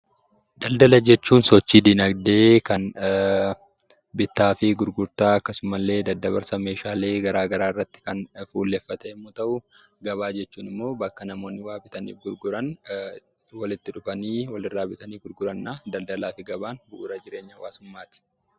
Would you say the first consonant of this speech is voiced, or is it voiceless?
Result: voiced